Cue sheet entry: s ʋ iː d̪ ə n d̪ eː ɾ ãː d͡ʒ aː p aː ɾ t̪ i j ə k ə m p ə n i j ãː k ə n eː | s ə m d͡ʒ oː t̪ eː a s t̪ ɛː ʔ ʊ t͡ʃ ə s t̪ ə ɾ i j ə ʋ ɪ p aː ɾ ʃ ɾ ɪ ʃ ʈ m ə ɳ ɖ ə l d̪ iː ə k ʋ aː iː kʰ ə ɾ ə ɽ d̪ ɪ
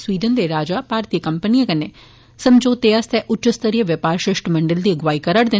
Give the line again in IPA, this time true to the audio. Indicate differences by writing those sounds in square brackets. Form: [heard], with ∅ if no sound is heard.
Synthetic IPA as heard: s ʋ iː d̪ ə n d̪ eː ɾ [aː] d͡ʒ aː p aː ɾ t̪ i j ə k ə m p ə n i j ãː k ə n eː | s ə m d͡ʒ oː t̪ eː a s t̪ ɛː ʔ ʊ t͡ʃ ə s t̪ ə ɾ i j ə ʋ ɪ p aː ɾ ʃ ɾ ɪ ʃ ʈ m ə ɳ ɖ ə l d̪ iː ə [ɡ] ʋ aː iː [k] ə ɾ ə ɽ d̪ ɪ